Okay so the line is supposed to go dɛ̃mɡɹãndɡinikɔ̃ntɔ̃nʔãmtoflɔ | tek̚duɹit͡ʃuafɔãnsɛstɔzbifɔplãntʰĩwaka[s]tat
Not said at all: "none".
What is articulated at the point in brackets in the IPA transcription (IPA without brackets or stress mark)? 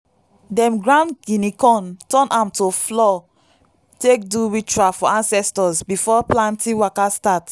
s